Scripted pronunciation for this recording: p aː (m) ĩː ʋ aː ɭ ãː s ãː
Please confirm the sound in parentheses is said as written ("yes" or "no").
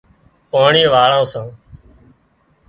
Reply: no